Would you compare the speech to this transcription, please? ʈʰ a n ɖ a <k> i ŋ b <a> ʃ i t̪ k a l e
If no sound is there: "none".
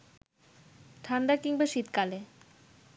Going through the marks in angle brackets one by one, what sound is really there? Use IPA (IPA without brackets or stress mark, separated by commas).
k, a